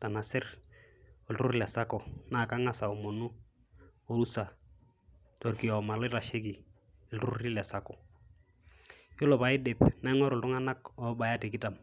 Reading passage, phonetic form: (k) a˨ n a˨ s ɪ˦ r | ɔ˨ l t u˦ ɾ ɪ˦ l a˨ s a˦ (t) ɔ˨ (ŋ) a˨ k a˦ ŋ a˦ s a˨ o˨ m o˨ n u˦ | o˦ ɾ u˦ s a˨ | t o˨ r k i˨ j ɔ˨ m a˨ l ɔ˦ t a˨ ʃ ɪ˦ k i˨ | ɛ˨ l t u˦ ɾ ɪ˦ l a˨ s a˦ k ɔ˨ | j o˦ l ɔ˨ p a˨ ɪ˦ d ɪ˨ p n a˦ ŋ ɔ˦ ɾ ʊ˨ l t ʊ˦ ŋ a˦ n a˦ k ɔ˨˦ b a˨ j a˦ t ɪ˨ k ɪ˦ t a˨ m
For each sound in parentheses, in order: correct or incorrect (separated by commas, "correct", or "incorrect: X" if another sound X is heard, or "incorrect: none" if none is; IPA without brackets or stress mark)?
incorrect: t, incorrect: k, incorrect: n